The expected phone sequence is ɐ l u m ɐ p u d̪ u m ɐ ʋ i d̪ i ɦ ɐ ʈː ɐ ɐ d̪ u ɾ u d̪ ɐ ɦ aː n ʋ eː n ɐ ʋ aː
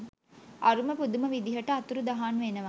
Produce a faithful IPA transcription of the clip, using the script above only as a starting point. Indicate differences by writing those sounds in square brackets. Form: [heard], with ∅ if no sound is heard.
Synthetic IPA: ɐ [ɾ] u m ɐ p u d̪ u m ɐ ʋ i d̪ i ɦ ɐ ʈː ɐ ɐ [t̪] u ɾ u d̪ ɐ ɦ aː n ʋ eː n ɐ ʋ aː